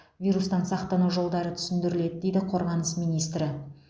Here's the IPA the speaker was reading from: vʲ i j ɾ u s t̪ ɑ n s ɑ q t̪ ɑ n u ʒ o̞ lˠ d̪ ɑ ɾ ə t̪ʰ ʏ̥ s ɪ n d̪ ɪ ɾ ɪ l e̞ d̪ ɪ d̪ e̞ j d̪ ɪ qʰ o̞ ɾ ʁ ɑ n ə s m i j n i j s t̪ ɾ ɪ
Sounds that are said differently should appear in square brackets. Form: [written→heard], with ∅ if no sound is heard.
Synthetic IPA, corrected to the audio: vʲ i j ɾ u s t̪ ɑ n s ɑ q t̪ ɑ n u ʒ o̞ lˠ d̪ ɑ ɾ ə t̪ʰ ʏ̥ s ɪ n d̪ ɪ ɾ ɪ l e̞ d̪ ɪ d̪ e̞ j d̪ ɪ qʰ o̞ ɾ ʁ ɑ n ə s m i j n i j s t̪ ɾ ɪ

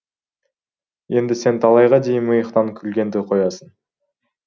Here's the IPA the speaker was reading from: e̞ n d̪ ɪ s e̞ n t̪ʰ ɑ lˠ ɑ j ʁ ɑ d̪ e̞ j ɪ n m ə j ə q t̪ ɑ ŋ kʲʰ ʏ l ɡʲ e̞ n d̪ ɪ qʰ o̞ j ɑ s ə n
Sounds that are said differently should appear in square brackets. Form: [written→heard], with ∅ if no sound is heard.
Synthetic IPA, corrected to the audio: e̞ n d̪ ɪ s e̞ n t̪ʰ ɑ lˠ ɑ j ʁ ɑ d̪ e̞ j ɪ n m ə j ə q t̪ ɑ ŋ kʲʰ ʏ l ɡʲ e̞ n d̪ ɪ qʰ o̞ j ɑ s ə n

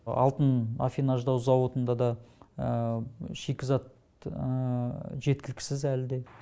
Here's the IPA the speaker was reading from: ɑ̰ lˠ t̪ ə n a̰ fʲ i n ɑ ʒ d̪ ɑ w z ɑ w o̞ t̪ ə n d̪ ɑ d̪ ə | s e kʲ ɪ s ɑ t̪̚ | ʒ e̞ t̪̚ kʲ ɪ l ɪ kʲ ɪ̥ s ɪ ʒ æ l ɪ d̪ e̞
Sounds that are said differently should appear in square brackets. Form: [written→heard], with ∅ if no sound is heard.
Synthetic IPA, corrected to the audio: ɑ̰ lˠ t̪ ə n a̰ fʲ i n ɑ ʒ d̪ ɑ w z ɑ w o̞ t̪ ə n d̪ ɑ d̪ [ə→ɑ] | [s→ʃ] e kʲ ɪ [s→z] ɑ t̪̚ | ʒ e̞ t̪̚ kʲ ɪ l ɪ kʲ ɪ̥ s ɪ [ʒ→z] æ l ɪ d̪ e̞

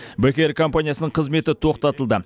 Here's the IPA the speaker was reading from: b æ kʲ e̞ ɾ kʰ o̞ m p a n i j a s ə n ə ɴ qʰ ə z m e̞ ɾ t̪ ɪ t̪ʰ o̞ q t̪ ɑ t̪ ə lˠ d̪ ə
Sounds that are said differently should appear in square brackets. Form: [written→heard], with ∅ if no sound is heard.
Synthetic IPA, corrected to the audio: b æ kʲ e̞ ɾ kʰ o̞ m p a n i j a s ə n ə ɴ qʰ ə z m e̞ [ɾ→∅] t̪ ɪ t̪ʰ o̞ q t̪ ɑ t̪ ə lˠ d̪ ə

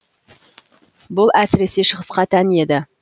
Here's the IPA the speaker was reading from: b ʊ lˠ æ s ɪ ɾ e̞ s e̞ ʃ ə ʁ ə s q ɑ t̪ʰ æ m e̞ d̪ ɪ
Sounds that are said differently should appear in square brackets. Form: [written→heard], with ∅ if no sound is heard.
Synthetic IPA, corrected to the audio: b ʊ lˠ æ s ɪ ɾ e̞ s e̞ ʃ ə ʁ ə s q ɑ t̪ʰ æ [m→n] e̞ d̪ ɪ

